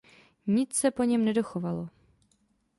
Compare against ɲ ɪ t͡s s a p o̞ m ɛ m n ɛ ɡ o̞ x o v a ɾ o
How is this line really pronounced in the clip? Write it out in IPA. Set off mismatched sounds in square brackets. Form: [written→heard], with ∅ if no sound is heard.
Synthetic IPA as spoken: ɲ ɪ t͡s s [a→ɛ] p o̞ [m→ɲ] ɛ m n ɛ [ɡ→d] o̞ x o v a [ɾ→l] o